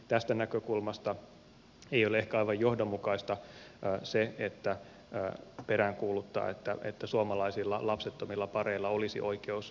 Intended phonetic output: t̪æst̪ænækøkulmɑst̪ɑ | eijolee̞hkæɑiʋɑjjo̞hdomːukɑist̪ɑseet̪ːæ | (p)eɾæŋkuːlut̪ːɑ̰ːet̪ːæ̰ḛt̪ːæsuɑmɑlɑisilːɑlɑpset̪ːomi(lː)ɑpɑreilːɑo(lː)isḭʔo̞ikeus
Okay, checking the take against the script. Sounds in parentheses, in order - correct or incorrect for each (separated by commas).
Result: correct, correct, incorrect